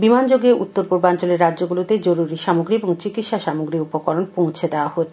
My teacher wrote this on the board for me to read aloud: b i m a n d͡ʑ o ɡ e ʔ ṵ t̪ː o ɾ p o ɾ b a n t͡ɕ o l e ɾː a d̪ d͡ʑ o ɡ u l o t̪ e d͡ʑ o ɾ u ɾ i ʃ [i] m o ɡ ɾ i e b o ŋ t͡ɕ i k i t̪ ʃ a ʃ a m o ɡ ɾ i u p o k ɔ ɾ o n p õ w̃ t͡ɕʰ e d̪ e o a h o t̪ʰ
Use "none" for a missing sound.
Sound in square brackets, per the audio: a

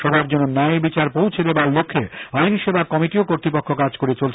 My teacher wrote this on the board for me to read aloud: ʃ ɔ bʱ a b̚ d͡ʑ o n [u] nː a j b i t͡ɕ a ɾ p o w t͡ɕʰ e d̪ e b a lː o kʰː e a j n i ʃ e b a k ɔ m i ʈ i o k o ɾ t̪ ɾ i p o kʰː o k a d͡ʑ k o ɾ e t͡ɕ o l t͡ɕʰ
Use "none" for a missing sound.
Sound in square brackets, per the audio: o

